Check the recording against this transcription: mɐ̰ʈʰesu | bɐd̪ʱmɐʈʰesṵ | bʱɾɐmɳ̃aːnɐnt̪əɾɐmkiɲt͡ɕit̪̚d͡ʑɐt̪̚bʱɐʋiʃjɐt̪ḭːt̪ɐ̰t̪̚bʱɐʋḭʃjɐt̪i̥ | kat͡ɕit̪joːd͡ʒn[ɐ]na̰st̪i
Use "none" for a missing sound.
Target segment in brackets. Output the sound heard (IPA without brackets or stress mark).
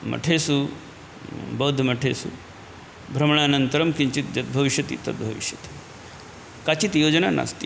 a